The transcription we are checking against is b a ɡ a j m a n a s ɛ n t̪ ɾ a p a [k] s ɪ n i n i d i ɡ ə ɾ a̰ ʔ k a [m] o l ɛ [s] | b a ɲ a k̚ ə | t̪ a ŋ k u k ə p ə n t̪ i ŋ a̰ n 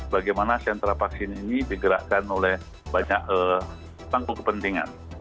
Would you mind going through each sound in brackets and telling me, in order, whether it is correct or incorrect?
correct, incorrect: n, incorrect: h

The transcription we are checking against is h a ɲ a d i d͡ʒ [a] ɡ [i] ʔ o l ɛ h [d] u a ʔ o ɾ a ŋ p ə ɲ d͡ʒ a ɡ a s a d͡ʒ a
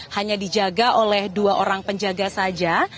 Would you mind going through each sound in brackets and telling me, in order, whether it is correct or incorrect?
correct, incorrect: a, correct

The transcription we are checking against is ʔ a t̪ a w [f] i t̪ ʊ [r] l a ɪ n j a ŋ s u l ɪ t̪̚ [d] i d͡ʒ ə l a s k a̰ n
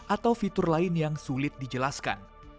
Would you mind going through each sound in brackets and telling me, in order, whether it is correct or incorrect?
correct, correct, correct

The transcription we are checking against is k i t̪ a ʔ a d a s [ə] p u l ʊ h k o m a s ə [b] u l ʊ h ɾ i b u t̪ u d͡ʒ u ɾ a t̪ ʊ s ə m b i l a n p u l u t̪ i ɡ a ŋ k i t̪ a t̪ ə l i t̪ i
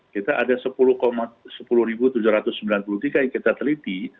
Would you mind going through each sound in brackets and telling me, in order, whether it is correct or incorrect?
correct, incorrect: p

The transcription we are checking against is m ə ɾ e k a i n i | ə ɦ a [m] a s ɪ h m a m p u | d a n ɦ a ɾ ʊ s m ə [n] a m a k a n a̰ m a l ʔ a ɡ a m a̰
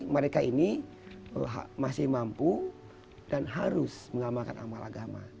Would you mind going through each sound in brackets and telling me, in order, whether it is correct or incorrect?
correct, incorrect: ŋ

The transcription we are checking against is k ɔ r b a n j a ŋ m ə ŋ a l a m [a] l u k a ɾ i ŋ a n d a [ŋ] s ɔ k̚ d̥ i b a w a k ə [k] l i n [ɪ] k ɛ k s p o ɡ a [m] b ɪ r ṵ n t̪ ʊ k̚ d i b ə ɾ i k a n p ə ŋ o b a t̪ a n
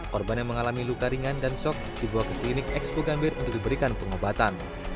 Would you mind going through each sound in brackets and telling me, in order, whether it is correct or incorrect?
incorrect: i, incorrect: n, correct, correct, correct

